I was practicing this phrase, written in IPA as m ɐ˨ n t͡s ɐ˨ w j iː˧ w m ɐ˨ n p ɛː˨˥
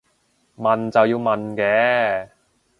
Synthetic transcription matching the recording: m ɐ˨ n t͡s ɐ˨ w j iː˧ w m ɐ˨ n k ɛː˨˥